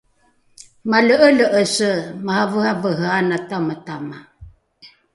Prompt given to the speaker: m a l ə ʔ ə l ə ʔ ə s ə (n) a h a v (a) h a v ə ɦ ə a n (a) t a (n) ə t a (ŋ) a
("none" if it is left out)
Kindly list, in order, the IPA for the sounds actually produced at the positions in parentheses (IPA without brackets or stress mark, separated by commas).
m, ə, a, m, m